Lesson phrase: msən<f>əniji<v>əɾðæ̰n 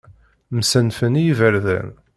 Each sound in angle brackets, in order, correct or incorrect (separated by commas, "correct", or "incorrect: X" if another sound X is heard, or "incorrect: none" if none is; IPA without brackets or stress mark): correct, correct